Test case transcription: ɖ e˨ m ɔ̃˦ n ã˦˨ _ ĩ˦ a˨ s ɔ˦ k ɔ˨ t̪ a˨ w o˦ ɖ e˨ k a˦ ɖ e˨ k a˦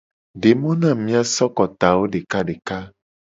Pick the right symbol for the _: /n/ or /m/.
m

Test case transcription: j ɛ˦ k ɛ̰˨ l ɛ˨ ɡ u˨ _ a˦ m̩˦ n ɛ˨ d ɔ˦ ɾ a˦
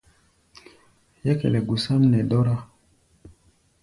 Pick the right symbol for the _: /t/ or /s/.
s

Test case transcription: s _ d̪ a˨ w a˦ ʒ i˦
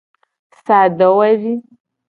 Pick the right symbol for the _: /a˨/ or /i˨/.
a˨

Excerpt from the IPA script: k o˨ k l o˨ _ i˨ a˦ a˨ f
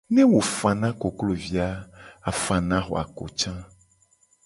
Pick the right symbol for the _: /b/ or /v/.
v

